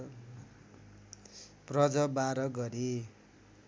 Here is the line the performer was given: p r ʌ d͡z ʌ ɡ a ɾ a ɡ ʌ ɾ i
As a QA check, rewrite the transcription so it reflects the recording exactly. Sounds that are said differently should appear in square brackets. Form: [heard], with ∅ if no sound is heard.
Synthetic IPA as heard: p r ʌ d͡z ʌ [b] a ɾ [ʌ] ɡ ʌ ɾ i